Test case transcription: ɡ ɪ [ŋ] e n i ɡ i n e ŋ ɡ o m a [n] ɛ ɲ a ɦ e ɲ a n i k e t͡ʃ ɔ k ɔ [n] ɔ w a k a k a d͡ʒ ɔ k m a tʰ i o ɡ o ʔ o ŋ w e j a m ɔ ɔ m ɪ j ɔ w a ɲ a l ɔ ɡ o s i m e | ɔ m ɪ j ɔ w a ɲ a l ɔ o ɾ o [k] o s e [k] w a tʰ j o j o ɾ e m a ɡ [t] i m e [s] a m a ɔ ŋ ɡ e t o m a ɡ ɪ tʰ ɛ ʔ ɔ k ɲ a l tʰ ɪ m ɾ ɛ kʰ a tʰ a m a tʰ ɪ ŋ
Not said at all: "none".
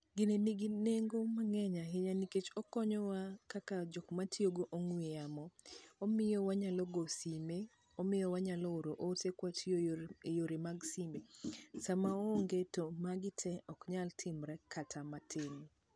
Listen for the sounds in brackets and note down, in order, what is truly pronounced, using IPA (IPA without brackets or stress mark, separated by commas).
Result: n, ŋ, ɲ, ʔ, k, s, s